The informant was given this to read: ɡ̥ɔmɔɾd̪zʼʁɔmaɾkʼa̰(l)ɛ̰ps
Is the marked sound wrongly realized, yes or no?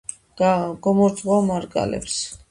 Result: no